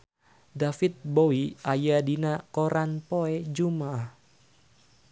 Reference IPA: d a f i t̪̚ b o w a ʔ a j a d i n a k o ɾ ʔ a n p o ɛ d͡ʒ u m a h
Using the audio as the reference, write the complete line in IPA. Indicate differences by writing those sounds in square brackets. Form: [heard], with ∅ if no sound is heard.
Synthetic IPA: d a f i t̪̚ b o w [i] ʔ a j a d i n a k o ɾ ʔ a n p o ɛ d͡ʒ u m a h